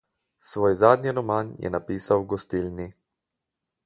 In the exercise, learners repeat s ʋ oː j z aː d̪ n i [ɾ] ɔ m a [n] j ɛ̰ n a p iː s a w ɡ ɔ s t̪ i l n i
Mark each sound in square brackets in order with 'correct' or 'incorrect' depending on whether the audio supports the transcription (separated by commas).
correct, correct